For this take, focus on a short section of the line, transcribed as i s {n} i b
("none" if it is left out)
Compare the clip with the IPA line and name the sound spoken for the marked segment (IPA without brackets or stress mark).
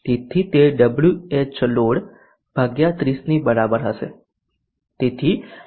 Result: n